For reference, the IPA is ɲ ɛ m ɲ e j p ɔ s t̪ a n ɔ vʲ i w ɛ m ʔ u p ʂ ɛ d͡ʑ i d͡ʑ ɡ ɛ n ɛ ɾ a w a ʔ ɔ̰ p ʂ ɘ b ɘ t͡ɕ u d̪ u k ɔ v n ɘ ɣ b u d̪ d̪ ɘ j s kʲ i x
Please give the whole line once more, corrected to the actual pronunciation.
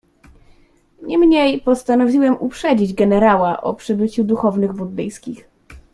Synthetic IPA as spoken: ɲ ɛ m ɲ e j p ɔ s t̪ a n ɔ vʲ i w ɛ m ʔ u p ʂ ɛ d͡ʑ i d͡ʑ ɡ ɛ n ɛ ɾ a w a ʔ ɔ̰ p ʂ ɘ b ɘ t͡ɕ u d̪ u x ɔ v n ɘ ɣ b u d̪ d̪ ɘ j s kʲ i x